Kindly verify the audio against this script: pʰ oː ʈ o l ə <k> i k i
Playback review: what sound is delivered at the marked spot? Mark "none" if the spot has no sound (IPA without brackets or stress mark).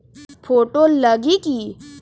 ɡ